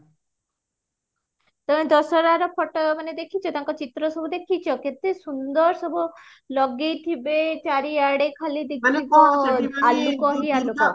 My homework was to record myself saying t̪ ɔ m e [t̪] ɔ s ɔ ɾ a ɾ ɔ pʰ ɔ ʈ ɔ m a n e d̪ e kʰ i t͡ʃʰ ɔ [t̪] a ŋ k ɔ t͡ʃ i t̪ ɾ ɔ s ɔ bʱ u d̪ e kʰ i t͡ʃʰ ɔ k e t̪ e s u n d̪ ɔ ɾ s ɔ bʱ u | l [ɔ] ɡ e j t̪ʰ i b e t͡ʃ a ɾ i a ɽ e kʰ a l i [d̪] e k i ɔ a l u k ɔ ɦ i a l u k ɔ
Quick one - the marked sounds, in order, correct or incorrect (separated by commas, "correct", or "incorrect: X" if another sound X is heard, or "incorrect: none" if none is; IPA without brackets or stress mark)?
incorrect: d̪, correct, correct, correct